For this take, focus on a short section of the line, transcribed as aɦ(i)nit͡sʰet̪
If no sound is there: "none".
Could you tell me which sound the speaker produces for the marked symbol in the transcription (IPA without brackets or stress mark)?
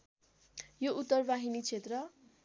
i